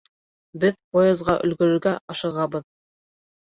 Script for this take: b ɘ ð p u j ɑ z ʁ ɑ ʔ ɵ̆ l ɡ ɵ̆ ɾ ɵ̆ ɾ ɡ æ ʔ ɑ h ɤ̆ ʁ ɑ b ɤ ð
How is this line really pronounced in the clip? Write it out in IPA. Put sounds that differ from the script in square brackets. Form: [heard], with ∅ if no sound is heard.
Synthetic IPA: b ɘ ð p [o] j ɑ z ʁ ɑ ʔ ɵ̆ l ɡ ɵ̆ ɾ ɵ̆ ɾ ɡ æ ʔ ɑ [ʃ] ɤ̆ ʁ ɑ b ɤ ð